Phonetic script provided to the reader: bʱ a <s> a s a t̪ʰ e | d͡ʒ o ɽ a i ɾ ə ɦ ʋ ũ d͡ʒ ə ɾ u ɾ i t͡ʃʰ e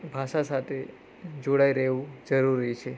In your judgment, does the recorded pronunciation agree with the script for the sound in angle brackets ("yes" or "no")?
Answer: no